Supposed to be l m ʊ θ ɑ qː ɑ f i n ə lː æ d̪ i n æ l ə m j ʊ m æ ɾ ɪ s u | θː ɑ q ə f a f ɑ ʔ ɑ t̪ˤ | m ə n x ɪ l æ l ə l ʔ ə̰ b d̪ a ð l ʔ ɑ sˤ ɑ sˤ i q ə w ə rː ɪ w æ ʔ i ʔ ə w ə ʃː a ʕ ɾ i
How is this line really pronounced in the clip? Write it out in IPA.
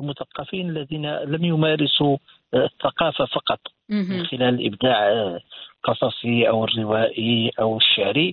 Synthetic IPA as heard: l m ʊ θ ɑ qː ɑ f i n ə lː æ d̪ i n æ l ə m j ʊ m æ ɾ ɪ s u | θː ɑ q ɑ f a f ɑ q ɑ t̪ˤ | m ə n x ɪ l æ l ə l ʔ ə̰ b d̪ a ʕ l q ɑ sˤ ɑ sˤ i ʔ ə w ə rː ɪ w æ ʔ i ʔ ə w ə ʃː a ʕ ɾ i